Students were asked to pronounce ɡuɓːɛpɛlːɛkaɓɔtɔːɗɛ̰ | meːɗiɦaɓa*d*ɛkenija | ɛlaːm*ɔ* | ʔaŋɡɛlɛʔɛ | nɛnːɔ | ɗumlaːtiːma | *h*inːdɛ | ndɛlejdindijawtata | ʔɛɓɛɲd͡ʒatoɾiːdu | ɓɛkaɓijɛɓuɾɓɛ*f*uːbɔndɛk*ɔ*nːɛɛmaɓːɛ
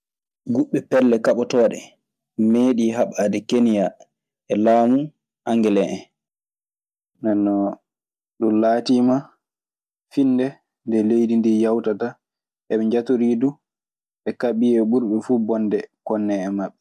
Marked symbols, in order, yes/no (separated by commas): yes, no, no, yes, yes